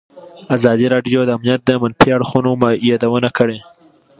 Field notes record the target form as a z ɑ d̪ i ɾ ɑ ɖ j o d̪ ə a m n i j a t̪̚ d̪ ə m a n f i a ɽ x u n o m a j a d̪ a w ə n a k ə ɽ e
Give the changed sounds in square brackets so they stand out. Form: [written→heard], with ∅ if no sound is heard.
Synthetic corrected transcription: a z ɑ d̪ i ɾ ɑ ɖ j o d̪ ə a m n i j a t̪̚ d̪ ə m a n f i a ɽ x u n o m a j [a→ɑ] d̪ a w ə n a k ə ɽ e